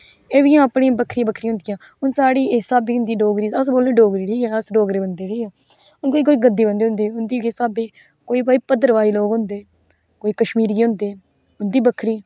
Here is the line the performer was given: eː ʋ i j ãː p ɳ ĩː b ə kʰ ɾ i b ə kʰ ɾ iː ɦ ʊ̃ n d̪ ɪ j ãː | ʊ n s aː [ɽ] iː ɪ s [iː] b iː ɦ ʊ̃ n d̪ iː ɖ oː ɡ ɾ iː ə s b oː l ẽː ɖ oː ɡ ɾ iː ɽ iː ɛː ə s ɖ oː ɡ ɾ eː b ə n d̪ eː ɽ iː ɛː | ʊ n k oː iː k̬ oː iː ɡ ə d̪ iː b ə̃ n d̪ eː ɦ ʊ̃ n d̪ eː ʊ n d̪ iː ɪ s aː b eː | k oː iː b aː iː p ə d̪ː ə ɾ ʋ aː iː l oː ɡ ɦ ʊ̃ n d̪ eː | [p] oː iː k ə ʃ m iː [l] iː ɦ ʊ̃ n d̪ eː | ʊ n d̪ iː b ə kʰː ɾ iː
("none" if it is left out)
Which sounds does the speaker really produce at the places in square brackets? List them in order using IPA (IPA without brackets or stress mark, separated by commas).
ɽ, aː, k, ɾ